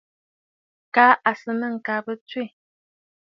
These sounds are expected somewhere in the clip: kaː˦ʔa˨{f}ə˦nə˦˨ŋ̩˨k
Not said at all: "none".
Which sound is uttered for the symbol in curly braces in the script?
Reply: s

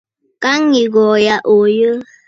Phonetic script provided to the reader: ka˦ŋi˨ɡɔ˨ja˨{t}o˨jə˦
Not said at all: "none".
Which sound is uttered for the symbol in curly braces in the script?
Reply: ʔ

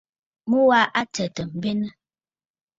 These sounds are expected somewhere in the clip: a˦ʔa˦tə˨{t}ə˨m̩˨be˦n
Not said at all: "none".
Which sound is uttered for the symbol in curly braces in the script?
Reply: t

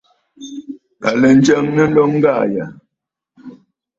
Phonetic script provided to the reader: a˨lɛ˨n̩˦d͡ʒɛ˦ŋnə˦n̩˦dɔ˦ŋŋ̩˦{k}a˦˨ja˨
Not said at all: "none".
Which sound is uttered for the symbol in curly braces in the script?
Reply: ɡ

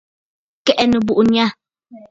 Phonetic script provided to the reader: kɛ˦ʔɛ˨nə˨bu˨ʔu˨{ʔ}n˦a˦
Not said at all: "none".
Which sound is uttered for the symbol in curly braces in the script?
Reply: none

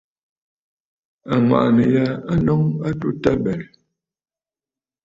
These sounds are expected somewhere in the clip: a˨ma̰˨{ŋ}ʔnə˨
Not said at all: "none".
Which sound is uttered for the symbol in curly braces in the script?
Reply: none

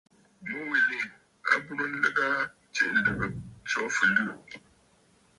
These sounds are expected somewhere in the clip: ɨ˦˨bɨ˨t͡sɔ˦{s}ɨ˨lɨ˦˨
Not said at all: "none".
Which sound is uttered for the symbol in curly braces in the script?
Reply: f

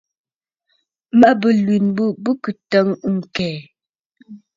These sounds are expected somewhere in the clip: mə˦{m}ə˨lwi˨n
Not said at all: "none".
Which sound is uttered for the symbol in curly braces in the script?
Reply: b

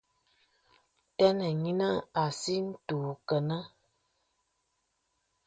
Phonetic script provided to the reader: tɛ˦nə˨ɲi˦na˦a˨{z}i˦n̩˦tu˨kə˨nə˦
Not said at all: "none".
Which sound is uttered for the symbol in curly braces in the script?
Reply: s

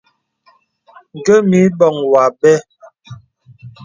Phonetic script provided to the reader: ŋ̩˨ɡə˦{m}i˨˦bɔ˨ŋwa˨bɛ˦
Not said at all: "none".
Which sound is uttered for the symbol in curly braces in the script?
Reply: m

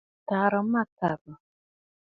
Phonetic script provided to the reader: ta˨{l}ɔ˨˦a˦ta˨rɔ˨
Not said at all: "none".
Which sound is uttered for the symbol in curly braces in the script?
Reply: ɾ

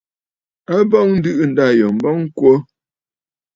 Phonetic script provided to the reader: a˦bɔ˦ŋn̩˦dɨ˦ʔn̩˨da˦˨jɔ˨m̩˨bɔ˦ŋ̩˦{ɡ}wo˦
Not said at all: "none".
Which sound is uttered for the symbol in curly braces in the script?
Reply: k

